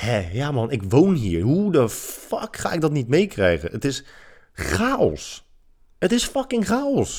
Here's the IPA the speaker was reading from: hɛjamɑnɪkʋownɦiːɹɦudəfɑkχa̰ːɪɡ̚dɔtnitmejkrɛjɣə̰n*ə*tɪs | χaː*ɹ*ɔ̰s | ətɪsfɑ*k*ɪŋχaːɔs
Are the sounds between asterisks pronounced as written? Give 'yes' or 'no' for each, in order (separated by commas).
yes, no, yes